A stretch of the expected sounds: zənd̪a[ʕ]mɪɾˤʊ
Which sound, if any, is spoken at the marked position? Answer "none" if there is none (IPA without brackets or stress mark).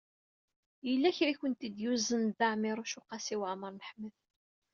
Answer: ʕ